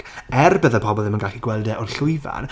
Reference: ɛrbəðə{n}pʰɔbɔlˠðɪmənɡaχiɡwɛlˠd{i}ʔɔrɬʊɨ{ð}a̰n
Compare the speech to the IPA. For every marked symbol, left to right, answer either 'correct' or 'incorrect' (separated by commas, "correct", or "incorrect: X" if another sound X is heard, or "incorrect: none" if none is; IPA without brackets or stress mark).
incorrect: none, incorrect: ɛ, incorrect: v